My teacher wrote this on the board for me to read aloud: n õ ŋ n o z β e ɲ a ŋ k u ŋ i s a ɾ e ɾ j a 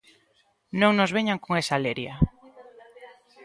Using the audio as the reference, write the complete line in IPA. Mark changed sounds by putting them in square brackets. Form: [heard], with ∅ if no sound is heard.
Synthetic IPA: n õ ŋ n o z β e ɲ a ŋ k [o] ŋ [e] s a [l] e ɾ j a